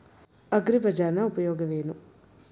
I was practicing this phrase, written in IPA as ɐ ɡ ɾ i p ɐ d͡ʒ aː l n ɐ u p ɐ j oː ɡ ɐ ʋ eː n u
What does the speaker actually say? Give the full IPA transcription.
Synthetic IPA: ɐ ɡ ɾ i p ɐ d͡ʒ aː ɾ n ɐ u p ɐ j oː ɡ ɐ ʋ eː n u